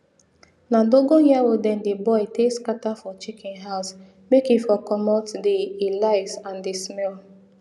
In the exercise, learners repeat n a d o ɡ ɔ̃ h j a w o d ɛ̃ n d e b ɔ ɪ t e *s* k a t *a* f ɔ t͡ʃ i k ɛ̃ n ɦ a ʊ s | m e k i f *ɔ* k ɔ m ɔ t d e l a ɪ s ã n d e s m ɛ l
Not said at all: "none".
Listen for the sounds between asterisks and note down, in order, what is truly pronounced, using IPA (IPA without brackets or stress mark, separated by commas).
s, a, ɔ